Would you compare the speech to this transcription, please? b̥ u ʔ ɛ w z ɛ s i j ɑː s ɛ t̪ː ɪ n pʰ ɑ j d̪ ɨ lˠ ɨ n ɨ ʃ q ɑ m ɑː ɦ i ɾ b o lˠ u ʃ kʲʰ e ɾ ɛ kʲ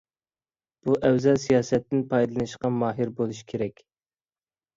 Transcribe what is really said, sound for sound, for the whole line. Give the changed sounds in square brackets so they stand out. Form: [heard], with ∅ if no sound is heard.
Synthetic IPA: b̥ u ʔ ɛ w z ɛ s i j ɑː s ɛ t̪ː ɪ n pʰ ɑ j d̪ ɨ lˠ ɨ n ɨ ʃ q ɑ m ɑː ɦ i ɾ b o lˠ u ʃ kʲʰ e ɾ ɛ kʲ